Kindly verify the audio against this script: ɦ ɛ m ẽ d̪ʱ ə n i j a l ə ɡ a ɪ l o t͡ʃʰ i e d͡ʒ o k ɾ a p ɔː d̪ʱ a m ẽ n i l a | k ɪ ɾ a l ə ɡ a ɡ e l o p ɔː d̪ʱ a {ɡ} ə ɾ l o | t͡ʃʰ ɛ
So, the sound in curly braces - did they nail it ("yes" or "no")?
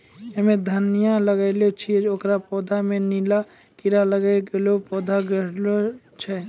yes